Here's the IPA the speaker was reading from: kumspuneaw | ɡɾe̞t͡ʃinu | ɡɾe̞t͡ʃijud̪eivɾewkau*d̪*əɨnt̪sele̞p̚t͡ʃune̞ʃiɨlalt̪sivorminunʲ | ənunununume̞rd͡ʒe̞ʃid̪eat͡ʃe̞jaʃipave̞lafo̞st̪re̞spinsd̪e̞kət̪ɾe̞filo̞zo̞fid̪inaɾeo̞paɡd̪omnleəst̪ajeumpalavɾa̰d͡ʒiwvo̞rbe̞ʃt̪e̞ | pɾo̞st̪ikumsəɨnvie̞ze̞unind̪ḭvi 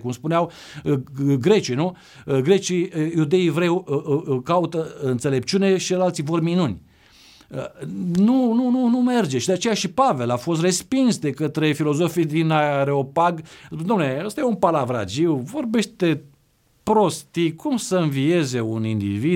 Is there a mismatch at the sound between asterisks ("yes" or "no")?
yes